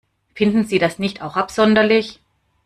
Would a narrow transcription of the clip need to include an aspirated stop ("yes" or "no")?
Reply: no